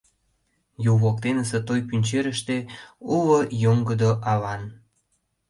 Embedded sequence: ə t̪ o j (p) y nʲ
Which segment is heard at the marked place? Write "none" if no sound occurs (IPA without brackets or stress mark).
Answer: p